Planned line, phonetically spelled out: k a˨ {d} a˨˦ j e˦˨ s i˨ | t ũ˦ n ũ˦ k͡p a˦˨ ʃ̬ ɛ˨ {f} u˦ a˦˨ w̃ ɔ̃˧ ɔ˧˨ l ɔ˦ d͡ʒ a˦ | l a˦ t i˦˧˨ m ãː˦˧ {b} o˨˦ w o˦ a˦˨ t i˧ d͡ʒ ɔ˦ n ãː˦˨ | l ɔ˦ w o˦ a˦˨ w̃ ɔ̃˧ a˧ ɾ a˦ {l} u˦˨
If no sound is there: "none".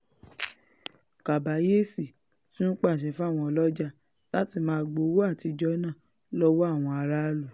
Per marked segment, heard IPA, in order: b, f, ɡ͡b, l

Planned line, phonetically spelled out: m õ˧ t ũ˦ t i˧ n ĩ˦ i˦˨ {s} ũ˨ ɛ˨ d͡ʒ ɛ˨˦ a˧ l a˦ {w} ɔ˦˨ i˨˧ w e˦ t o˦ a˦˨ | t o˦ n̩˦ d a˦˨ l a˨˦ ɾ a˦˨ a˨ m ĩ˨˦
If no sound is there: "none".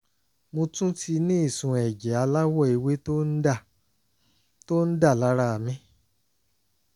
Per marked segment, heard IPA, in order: s, w

